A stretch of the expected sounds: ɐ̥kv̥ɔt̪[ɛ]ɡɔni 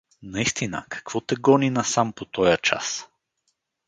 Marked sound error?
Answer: no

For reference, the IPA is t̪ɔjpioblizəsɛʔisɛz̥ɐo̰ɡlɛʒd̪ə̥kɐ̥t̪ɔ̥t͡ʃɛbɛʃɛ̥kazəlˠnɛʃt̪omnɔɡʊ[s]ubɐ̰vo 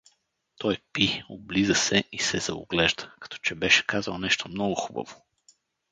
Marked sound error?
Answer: yes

